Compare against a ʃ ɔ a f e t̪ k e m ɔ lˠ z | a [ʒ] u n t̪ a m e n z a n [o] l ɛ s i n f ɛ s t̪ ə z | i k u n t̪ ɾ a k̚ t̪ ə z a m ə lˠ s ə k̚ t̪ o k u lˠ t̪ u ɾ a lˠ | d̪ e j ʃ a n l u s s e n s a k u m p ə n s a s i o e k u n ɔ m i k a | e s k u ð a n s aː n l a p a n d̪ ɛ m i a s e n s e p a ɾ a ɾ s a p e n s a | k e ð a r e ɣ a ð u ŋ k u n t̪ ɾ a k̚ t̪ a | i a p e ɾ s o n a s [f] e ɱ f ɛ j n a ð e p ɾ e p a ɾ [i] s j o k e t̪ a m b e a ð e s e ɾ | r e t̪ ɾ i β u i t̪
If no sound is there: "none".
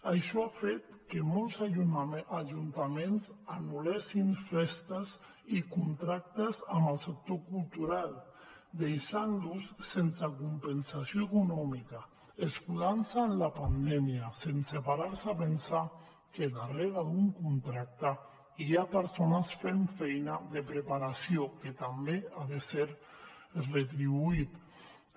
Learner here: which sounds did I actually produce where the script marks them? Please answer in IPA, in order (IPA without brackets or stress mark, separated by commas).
ʒ, u, f, a